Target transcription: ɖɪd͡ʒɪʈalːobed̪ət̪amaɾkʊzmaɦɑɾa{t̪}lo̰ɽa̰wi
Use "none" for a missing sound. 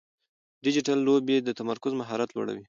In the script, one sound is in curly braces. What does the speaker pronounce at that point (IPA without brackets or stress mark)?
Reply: t̪